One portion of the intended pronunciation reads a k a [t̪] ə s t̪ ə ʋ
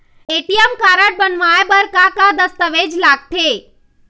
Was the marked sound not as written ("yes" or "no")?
yes